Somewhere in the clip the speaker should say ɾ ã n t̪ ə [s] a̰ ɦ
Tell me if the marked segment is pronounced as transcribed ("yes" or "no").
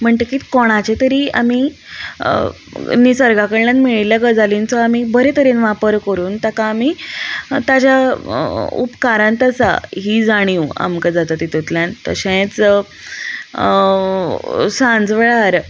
yes